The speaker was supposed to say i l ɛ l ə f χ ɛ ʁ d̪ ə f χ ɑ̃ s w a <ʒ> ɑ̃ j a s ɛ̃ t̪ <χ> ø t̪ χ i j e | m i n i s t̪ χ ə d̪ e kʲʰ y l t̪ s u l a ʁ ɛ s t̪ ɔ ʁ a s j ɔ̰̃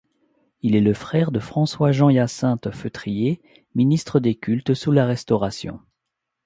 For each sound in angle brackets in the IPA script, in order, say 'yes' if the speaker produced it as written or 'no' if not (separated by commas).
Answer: yes, no